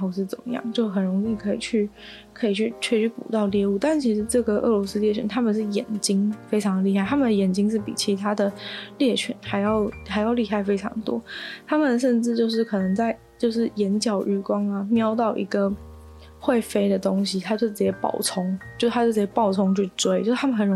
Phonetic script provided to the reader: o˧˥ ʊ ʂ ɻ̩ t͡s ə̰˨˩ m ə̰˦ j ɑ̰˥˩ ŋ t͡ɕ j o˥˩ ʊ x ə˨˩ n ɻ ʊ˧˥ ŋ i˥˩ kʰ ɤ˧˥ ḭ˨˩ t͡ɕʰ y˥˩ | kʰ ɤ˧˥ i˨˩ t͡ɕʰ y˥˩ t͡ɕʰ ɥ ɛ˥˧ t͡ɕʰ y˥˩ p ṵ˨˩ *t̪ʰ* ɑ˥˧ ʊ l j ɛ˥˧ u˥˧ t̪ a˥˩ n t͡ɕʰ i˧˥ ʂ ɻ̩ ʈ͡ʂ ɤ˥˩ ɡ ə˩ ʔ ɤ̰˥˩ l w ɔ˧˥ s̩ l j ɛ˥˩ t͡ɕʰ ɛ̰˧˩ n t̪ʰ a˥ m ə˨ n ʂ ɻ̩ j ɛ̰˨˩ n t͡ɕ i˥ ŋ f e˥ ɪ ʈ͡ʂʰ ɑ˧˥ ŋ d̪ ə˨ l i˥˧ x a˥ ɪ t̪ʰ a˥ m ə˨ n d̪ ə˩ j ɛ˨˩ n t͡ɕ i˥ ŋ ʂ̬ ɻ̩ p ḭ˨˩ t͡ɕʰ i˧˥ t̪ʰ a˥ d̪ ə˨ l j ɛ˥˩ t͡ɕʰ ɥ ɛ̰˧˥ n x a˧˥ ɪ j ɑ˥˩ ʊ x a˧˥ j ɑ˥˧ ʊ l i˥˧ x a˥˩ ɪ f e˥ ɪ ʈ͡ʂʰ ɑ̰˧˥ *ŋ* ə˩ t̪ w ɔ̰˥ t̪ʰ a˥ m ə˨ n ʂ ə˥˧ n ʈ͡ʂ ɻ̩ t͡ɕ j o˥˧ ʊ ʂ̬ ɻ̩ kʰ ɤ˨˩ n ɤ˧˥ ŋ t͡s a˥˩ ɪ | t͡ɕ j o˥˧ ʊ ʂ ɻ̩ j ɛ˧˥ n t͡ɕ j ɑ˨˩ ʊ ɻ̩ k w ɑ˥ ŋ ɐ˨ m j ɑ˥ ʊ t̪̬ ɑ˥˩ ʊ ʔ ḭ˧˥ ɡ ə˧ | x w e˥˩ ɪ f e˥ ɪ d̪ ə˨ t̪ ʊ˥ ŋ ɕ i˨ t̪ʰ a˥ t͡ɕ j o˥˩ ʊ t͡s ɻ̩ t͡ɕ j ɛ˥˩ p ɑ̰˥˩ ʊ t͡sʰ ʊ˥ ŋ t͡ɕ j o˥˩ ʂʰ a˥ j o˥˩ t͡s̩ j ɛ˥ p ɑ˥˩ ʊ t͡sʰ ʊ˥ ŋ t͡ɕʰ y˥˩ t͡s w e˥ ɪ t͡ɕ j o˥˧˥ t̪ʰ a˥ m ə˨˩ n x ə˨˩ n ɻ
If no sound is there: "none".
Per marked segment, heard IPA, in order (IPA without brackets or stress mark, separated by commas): t̪, ŋ